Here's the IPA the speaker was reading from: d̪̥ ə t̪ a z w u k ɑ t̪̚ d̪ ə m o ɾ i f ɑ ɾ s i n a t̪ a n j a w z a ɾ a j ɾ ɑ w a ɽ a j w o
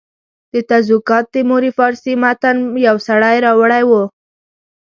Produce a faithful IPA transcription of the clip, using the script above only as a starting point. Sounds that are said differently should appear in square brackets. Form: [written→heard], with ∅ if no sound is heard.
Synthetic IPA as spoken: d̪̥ ə t̪ a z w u k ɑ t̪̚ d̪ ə m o ɾ i f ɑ ɾ s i [n→m] a t̪ a n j a w [z→s] a [ɾ→ɽ] a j ɾ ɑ w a ɽ a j w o